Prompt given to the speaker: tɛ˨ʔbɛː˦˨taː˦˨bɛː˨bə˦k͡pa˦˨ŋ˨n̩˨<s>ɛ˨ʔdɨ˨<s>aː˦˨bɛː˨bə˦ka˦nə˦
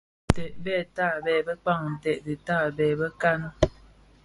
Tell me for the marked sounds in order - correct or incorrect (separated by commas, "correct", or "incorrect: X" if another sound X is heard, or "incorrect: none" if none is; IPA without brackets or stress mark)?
incorrect: t, incorrect: t